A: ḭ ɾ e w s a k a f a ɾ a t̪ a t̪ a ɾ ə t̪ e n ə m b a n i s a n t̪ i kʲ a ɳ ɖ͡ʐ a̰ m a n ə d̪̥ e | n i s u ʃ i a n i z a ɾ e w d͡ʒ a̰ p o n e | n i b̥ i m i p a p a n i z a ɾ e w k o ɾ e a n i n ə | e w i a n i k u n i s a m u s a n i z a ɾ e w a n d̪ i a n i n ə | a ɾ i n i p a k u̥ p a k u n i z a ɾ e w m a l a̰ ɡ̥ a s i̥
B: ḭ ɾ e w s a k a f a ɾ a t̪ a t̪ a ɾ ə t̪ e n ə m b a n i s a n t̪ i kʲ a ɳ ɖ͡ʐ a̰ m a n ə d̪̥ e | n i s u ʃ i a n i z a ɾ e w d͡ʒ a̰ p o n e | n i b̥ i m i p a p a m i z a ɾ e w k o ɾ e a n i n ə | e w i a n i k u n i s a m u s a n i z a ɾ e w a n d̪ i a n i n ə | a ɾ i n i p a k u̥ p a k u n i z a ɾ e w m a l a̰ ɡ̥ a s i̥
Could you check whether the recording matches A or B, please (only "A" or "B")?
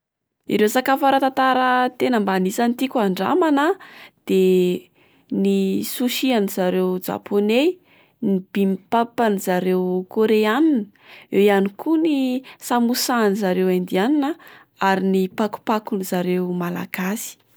A